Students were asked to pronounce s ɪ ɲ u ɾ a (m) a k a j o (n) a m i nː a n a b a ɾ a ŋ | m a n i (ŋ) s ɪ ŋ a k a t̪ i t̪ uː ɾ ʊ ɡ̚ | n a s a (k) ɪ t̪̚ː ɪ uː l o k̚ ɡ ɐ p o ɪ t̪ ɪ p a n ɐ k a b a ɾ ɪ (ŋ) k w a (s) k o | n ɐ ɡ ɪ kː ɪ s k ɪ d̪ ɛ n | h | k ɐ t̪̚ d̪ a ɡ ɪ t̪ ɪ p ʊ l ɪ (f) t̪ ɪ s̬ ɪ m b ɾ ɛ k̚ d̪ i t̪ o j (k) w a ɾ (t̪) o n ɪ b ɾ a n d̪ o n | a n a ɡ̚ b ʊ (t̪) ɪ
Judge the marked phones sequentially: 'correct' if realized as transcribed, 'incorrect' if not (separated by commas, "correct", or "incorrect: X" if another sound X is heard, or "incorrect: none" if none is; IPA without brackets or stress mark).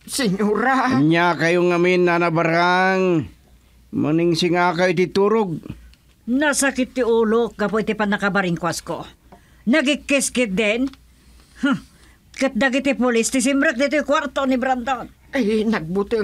incorrect: ɲ, incorrect: ŋ, correct, correct, correct, correct, incorrect: s, correct, correct, correct